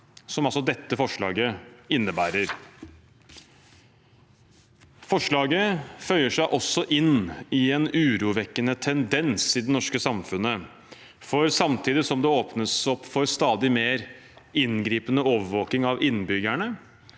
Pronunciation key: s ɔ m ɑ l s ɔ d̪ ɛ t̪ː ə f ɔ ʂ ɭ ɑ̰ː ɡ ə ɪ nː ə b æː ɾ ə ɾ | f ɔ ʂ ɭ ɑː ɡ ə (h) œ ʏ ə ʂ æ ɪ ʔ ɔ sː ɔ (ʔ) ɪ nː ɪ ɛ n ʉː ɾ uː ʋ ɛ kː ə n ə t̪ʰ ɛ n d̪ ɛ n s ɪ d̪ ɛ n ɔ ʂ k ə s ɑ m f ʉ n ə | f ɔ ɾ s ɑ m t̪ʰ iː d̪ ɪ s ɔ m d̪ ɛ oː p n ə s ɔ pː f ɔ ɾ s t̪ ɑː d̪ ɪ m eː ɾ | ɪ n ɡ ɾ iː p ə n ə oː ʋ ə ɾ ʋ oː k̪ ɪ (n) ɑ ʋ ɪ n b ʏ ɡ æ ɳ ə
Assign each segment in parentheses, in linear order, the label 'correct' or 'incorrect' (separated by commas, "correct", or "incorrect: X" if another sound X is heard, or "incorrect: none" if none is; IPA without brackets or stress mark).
incorrect: f, correct, incorrect: ŋ